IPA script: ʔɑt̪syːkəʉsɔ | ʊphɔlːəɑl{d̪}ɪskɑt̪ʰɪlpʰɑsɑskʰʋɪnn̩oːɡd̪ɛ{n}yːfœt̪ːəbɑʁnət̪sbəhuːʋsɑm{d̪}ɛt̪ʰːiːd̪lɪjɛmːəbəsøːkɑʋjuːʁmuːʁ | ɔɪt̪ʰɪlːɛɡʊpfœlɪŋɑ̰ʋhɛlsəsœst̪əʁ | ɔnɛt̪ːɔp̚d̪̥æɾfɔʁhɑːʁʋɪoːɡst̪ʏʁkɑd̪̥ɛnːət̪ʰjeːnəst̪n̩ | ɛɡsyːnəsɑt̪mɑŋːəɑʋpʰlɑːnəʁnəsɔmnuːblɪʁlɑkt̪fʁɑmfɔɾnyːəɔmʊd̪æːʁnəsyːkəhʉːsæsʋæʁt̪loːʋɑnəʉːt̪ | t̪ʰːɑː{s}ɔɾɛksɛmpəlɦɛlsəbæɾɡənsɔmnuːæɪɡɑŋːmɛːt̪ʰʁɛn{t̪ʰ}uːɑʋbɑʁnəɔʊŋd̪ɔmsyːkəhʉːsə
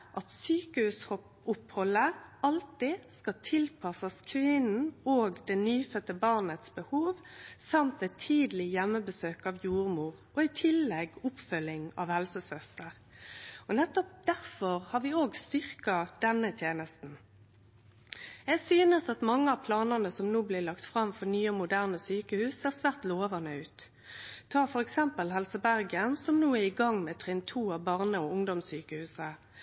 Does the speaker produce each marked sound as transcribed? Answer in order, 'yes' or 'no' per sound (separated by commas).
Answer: no, yes, no, no, yes